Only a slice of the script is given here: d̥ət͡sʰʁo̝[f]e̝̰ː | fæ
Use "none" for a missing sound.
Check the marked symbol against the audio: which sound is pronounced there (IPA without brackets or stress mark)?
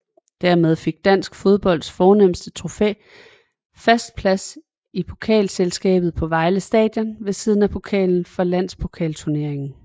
f